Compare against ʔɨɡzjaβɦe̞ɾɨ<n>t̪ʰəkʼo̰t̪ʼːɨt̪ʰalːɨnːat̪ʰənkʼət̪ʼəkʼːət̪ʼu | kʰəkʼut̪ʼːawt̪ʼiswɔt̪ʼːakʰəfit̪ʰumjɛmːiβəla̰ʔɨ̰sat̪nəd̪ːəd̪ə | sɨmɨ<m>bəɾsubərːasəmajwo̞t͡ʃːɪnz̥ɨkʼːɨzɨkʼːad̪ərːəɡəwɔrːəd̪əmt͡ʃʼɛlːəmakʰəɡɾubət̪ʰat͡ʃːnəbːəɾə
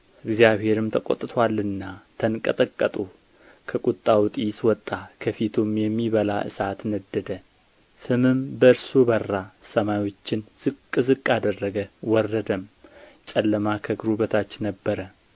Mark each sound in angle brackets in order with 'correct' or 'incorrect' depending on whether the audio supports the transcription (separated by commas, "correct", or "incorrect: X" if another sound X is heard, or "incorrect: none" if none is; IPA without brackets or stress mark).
incorrect: m, correct